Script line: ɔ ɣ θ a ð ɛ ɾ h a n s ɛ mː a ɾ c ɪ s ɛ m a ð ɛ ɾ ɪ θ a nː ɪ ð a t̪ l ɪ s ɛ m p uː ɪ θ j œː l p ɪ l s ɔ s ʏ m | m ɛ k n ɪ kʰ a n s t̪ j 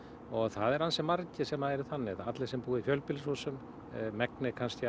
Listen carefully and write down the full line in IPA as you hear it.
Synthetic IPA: ɔ ɣ θ a ð ɛ ɾ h a n s ɛ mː a ɾ c ɪ s ɛ m a ð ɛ ɾ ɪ θ a nː ɪ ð a t̪ l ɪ s ɛ m p uː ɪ f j œ l p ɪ l s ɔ s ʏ m | m ɛ k n ɪ kʰ a n s t̪ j